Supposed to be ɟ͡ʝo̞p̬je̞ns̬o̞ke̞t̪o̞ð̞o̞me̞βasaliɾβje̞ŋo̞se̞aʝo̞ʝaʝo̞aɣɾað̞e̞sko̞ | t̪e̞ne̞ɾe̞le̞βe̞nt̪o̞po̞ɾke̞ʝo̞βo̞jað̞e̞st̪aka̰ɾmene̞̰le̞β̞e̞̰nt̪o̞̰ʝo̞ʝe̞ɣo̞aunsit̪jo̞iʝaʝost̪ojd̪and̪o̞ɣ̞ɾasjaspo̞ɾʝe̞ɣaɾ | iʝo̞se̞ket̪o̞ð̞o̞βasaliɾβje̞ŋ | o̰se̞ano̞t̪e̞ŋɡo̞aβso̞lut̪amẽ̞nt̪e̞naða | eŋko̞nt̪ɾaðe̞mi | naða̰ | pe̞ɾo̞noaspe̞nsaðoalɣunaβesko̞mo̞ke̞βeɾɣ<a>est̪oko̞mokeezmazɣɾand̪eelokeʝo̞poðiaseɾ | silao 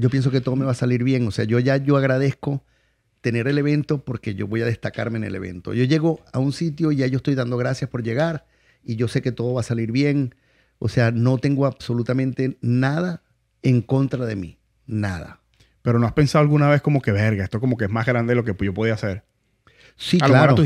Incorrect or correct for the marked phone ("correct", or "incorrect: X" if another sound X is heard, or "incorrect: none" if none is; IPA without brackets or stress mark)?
correct